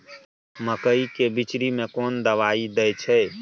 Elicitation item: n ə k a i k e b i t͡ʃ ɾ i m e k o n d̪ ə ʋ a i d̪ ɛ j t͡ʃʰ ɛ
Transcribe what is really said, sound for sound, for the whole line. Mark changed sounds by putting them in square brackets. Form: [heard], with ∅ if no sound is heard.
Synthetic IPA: [m] ə k [ə] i k e b i t͡ʃ ɾ i m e k o n d̪ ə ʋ a i d̪ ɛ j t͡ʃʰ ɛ